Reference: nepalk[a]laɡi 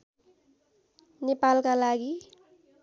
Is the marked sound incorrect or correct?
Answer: correct